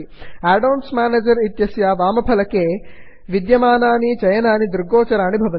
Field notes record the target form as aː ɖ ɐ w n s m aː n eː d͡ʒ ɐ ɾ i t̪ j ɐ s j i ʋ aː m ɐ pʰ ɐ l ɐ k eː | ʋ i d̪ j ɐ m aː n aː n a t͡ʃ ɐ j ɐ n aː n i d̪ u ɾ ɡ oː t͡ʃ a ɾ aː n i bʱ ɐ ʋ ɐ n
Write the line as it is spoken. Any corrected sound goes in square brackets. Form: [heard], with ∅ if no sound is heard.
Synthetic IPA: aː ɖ ɐ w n s m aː n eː d͡ʒ ɐ ɾ i t̪ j ɐ s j [a] ʋ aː m ɐ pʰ ɐ l ɐ k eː | ʋ i d̪ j ɐ m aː n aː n [i] t͡ʃ ɐ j ɐ n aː n i d̪ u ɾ ɡ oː t͡ʃ [ɐ] ɾ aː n i bʱ ɐ ʋ ɐ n